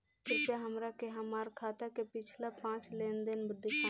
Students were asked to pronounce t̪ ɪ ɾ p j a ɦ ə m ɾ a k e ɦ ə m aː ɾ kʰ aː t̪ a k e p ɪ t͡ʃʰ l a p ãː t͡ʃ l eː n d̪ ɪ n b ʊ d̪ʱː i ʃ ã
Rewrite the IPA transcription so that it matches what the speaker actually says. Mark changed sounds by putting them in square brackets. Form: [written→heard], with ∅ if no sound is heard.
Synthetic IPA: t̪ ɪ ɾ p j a ɦ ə m ɾ a k e ɦ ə m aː ɾ kʰ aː t̪ a k e p ɪ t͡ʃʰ l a p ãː t͡ʃ l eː n d̪ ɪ n b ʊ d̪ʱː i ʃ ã